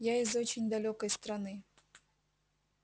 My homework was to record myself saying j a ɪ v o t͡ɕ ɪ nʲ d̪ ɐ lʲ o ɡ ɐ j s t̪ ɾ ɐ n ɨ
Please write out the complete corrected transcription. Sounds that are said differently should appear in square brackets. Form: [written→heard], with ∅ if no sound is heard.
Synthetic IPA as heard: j a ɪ [v→z] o t͡ɕ ɪ nʲ d̪ ɐ lʲ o [ɡ→k] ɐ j s t̪ ɾ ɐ n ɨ